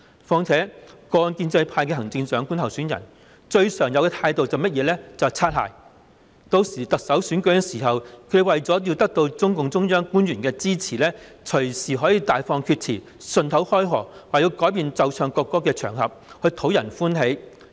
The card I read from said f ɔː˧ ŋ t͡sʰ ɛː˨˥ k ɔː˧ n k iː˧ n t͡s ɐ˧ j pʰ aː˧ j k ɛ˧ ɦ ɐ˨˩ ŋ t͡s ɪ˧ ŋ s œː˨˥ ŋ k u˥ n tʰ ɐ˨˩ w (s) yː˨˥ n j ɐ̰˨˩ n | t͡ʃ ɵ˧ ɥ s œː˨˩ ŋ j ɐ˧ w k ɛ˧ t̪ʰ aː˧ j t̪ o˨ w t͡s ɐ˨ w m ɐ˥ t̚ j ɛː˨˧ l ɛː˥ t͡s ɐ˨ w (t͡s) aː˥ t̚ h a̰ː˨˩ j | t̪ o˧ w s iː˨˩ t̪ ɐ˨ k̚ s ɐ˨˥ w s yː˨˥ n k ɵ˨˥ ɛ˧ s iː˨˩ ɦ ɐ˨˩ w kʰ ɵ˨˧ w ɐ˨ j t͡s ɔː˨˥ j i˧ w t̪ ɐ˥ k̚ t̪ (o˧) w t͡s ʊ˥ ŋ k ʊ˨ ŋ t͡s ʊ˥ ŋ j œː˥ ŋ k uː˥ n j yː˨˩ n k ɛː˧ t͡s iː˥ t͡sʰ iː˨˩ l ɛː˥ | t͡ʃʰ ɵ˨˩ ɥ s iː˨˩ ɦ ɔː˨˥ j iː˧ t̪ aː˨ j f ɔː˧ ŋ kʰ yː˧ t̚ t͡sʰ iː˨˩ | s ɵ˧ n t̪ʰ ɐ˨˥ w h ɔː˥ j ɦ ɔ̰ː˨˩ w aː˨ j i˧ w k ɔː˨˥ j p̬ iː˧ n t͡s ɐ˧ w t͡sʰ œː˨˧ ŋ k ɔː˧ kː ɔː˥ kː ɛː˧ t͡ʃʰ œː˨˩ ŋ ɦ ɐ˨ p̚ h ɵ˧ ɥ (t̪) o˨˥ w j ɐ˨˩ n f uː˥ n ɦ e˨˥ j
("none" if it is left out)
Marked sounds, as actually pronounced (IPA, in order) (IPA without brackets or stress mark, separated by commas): s, t͡sʰ, o˧, t̪ʰ